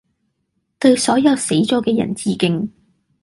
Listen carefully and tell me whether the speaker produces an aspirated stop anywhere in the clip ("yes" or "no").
no